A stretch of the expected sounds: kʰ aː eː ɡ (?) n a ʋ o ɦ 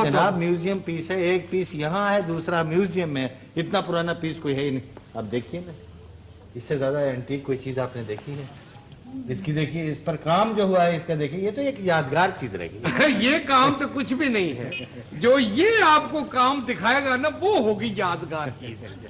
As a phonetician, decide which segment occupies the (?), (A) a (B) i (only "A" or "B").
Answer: A